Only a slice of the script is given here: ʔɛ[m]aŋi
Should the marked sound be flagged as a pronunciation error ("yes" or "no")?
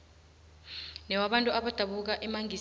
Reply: no